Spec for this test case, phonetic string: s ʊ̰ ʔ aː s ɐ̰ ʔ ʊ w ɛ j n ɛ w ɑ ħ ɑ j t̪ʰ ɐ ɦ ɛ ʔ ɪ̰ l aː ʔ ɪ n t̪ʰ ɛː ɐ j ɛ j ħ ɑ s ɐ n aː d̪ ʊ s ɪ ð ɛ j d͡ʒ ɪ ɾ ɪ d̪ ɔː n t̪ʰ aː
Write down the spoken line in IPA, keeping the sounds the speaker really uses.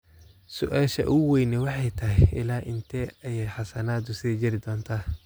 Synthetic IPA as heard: s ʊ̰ ʔ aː ʃ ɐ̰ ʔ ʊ w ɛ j n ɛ w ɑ ħ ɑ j t̪ʰ ɐ ɦ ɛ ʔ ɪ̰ l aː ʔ ɪ n t̪ʰ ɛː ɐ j ɛ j ħ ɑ s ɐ n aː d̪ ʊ s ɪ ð ɛ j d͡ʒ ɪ ɾ ɪ d̪ ɔː n t̪ʰ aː